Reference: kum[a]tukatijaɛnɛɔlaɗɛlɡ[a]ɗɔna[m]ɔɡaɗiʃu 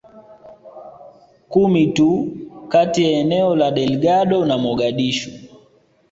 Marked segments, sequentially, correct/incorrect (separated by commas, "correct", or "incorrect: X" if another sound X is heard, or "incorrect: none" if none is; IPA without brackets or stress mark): incorrect: i, correct, correct